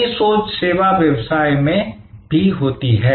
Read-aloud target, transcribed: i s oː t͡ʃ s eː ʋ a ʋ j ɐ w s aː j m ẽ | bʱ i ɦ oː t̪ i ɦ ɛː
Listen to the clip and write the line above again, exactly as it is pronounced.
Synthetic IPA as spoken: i s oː t͡ʃ s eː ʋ a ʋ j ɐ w s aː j m ẽ | bʱ i ɦ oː t̪ i ɦ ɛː